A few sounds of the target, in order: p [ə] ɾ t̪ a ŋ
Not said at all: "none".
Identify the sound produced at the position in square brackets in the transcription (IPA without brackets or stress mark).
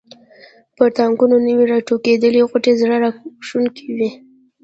ə